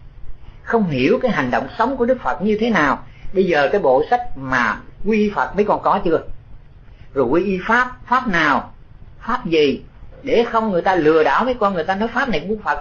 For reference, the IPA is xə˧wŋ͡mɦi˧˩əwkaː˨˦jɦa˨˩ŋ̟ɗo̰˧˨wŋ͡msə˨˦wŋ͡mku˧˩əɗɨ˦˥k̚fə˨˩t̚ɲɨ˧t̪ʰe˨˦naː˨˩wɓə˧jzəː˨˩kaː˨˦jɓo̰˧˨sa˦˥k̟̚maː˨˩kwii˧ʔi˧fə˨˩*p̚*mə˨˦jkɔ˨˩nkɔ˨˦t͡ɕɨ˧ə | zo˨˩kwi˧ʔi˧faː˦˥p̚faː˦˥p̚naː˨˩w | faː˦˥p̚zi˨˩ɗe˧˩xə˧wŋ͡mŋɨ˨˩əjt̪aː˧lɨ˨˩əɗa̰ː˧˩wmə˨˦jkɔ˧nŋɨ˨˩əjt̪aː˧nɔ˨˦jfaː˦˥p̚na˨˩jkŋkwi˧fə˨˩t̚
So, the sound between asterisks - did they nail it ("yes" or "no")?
no